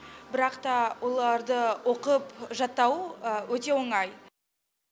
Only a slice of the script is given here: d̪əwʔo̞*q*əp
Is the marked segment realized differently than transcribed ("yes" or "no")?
no